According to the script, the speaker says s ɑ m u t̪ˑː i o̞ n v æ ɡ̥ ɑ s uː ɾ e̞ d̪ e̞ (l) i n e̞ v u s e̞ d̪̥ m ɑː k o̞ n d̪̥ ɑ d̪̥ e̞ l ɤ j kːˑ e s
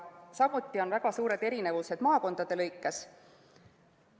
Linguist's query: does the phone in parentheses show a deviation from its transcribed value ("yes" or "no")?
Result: yes